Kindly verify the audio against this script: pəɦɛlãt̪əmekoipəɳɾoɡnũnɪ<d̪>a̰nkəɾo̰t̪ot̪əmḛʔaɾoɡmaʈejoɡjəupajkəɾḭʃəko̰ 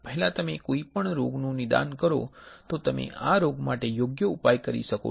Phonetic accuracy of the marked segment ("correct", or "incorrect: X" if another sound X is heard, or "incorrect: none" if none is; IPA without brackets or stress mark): correct